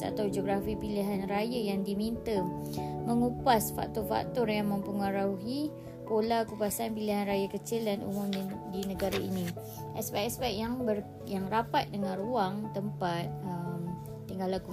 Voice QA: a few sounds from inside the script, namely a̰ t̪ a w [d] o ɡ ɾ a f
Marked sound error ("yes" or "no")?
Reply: yes